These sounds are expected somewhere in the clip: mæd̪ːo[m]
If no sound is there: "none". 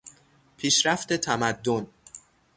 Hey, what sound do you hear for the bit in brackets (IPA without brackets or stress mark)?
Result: n